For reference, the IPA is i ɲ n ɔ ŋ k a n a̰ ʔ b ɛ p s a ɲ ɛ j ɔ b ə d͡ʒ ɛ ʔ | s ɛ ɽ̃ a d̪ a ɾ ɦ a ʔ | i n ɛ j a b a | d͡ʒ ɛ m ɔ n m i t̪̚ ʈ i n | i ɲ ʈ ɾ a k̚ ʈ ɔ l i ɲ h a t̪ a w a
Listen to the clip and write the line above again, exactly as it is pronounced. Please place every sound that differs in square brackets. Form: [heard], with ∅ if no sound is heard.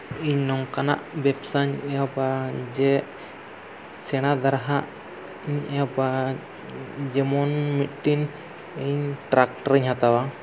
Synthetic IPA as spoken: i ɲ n ɔ ŋ k a n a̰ ʔ b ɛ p s a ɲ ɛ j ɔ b [a] d͡ʒ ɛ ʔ | s ɛ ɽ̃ a d̪ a ɾ ɦ a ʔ | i [ɲ] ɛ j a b a | d͡ʒ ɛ m ɔ n m i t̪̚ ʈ i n | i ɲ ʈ ɾ a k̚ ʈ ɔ [ɾ] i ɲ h a t̪ a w a